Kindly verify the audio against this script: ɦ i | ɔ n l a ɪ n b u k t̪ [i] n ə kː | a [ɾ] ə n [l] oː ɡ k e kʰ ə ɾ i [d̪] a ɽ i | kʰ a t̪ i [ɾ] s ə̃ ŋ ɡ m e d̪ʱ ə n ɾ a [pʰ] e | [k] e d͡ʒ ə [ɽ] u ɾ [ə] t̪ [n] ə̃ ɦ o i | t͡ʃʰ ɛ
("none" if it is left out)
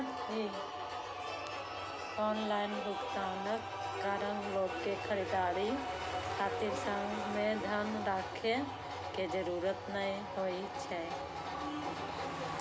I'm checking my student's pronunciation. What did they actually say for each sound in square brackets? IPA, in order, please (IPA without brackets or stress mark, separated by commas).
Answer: a, ɾ, l, d̪, ɾ, kʰ, k, ɾ, ə, n